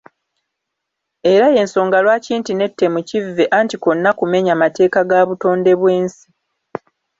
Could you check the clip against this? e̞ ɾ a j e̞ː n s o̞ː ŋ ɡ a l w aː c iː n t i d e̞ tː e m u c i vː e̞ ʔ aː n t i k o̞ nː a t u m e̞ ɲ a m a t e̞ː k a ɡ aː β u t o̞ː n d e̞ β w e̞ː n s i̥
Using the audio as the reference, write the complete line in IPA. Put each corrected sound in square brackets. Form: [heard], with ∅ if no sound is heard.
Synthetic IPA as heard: e̞ ɾ a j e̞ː n s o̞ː ŋ ɡ a l w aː c iː n t i [n] e̞ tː e m u c i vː e̞ ʔ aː n t i k o̞ nː a [k] u m e̞ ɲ a m a t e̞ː k a ɡ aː β u t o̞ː n d e̞ β w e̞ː n s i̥

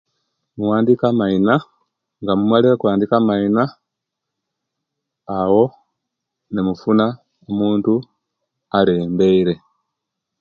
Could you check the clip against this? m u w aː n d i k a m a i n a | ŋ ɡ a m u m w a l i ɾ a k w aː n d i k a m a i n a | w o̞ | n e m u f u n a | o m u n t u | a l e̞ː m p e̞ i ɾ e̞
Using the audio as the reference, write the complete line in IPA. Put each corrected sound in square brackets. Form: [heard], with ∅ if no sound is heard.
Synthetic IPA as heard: m u w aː n d i k a m a i n a | ŋ ɡ a m u m w a l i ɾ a k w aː n d i k a m a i n a | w o̞ | n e m u f u n a | o m [uː] n t u | a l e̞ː m [b] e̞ i ɾ e̞

